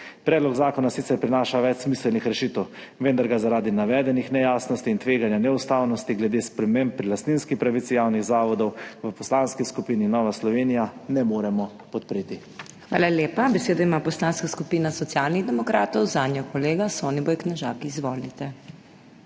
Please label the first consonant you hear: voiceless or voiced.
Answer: voiceless